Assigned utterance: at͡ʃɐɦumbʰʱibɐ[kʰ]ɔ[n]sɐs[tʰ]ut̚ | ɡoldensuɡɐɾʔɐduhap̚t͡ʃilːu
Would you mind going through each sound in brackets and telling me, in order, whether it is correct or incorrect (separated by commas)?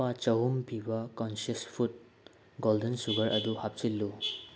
incorrect, correct, incorrect